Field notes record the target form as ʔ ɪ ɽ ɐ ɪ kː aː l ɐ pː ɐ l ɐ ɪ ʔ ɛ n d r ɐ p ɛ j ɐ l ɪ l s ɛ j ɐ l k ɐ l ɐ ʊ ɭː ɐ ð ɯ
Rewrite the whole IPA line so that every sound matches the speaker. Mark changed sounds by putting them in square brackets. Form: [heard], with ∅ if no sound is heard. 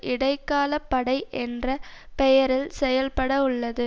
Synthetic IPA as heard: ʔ ɪ ɽ ɐ ɪ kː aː l ɐ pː ɐ [ɽ] ɐ ɪ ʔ ɛ n d r ɐ p ɛ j ɐ [ɾ] ɪ l s ɛ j ɐ l [p] ɐ [ɽ] ɐ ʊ ɭː ɐ ð ɯ